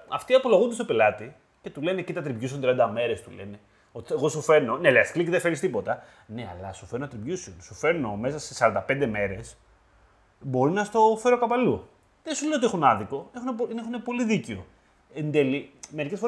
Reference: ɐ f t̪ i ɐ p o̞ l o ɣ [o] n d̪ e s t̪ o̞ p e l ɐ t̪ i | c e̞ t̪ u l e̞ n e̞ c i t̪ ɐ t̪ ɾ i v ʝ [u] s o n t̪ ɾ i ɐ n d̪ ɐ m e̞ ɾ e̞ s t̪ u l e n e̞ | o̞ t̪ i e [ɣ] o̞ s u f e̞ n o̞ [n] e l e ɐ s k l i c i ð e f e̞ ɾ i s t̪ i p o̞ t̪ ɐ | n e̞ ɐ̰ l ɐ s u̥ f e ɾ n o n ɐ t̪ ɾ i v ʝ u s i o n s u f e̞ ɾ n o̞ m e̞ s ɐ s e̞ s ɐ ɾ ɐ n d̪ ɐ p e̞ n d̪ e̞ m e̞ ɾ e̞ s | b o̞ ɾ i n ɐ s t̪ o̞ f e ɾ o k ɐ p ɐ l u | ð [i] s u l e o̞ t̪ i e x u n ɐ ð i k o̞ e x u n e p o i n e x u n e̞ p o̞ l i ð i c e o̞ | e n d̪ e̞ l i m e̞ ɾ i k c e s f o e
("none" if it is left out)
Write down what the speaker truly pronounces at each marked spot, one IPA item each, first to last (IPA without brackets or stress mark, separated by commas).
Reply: u, u, ɣ, n, e